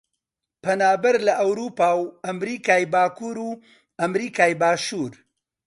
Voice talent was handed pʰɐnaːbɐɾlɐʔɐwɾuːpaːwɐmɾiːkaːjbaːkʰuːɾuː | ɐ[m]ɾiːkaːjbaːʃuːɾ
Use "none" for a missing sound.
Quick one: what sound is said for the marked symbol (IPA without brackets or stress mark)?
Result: m